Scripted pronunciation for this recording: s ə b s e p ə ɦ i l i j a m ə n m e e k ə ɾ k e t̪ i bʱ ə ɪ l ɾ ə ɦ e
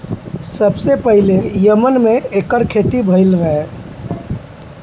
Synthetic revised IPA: s ə b s e p ə ɦ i l e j ə m ə n m e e k ə ɾ kʰ e t̪ i bʱ ə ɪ l ɾ ə ɦ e